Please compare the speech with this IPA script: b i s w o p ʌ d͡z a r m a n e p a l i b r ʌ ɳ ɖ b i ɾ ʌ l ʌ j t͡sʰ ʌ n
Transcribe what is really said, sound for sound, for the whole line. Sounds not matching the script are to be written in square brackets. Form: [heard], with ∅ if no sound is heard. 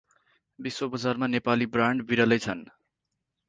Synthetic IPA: b i s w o [b] ʌ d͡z a r m a n e p a l i b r [a] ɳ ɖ b i ɾ ʌ l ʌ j t͡sʰ ʌ n